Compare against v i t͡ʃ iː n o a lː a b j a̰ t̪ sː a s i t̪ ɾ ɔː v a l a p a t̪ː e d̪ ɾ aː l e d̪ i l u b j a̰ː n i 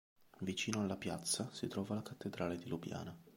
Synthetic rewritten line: v i t͡ʃ iː n o a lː a p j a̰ t̪ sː a s i t̪ ɾ ɔː v a l a k a t̪ː e d̪ ɾ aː l e d̪ i l u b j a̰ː n a